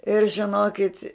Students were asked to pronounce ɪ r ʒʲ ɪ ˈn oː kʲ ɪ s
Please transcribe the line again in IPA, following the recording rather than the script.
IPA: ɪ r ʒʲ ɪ ˈn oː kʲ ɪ t

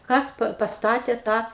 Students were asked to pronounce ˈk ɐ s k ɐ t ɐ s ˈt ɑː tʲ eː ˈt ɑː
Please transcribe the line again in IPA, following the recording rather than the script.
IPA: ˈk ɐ s p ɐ p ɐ s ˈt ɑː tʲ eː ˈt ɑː

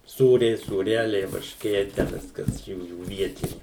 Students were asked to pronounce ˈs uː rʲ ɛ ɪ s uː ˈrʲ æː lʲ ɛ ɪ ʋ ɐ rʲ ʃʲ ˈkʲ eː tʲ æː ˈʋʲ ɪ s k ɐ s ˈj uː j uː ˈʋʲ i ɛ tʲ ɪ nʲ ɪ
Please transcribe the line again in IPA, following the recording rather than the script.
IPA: ˈs uː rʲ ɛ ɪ s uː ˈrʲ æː lʲ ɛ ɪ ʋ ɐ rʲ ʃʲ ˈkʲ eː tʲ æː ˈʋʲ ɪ s k ɐ s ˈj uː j uː ˈʋʲ i ɛ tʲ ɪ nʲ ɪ

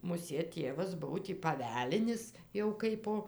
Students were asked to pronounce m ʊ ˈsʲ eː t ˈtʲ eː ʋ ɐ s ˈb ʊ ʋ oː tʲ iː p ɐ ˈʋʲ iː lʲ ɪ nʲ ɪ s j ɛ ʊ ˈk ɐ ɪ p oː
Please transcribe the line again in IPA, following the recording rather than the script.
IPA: m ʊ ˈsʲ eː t ˈtʲ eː ʋ ɐ s ˈb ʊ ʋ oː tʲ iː p ɐ ˈʋʲ æː lʲ ɪ nʲ ɪ s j ɛ ʊ ˈk ɐ ɪ p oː

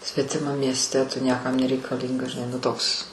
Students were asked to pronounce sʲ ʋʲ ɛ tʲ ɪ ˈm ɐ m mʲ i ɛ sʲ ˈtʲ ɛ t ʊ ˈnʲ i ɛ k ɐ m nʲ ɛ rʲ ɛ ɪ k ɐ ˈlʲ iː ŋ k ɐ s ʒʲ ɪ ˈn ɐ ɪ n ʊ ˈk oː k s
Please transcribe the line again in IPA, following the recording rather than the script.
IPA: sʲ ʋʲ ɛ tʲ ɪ ˈm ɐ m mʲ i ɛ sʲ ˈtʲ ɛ t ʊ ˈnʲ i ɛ k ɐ m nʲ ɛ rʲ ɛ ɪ k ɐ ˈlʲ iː ŋ ɡ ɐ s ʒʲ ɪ ˈn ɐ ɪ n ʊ ˈt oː k s

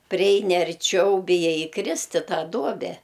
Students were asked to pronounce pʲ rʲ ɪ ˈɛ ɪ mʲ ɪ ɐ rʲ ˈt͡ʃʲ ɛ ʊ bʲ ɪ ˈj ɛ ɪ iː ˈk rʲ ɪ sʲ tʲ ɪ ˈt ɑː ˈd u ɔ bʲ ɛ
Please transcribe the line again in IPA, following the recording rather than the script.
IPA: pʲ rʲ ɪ ˈɛ ɪ nʲ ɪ ɐ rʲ ˈt͡ʃʲ ɛ ʊ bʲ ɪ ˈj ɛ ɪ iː ˈk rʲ ɪ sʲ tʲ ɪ ˈt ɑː ˈd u ɔ bʲ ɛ

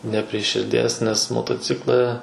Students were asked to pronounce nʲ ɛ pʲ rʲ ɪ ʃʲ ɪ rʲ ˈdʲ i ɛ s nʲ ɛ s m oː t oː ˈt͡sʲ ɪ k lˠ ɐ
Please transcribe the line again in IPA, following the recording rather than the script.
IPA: nʲ ɛ pʲ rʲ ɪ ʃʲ ɪ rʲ ˈdʲ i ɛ s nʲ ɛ s m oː t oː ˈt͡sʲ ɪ k lˠ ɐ

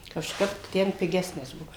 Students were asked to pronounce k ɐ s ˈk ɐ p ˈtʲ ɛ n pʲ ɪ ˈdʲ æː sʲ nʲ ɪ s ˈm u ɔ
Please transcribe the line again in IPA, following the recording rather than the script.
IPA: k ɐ ʃ ˈk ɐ p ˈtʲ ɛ n pʲ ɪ ˈɡʲ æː sʲ nʲ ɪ s ˈb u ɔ

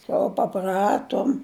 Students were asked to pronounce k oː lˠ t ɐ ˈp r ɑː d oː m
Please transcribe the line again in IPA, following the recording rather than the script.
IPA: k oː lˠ p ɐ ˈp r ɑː t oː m

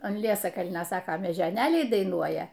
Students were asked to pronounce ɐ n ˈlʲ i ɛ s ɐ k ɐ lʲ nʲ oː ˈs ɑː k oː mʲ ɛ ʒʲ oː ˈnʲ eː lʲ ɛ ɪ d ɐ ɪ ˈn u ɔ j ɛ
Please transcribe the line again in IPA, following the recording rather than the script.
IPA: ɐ n ˈlʲ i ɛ s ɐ k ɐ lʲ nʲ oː ˈs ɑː k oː mʲ ɛ ʒʲ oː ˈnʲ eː lʲ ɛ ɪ d ɐ ɪ ˈn u ɔ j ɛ

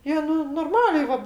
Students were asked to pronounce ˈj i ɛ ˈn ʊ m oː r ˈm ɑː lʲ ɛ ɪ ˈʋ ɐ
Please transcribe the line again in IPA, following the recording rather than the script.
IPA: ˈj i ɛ ˈn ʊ n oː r ˈm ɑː lʲ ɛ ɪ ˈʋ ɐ

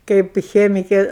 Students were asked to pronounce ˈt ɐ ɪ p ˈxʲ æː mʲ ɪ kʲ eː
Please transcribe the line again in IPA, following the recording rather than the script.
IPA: ˈk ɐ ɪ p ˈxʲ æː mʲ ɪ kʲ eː

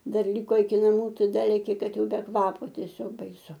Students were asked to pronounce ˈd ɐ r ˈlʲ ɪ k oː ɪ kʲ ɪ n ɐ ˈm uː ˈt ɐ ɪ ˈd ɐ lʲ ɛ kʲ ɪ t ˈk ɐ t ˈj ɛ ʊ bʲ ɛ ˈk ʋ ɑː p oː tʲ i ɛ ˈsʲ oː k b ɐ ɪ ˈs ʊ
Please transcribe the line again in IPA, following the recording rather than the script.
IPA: ˈd ɐ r ˈlʲ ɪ k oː ɪ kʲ ɪ n ɐ ˈm uː ˈt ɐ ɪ ˈd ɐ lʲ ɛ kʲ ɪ ˈk ɐ t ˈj ɛ ʊ bʲ ɛ ˈk ʋ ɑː p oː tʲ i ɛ ˈsʲ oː k b ɐ ɪ ˈs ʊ

